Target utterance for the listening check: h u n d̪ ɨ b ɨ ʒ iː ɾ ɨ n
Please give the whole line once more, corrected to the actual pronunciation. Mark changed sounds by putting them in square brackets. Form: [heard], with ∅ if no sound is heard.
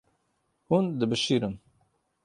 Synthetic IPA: h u n d̪ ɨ b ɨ [ʃ] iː ɾ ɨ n